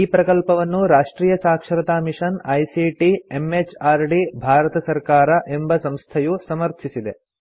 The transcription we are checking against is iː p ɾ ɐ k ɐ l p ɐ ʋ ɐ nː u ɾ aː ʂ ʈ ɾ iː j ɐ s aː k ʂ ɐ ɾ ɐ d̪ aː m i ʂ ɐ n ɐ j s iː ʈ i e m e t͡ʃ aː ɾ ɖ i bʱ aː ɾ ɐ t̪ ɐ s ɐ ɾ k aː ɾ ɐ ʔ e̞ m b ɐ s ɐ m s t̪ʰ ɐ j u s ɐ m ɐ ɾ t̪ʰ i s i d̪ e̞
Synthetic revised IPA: iː p ɾ ɐ k ɐ l p ɐ ʋ ɐ nː u ɾ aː ʂ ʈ ɾ iː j ɐ s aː k ʂ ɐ ɾ ɐ t̪ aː m i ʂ ɐ n ɐ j s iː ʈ i e m e t͡ʃ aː ɾ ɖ i bʱ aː ɾ ɐ t̪ ɐ s ɐ ɾ k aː ɾ ɐ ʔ e̞ m b ɐ s ɐ m s t̪ʰ ɐ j u s ɐ m ɐ ɾ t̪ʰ i s i d̪ e̞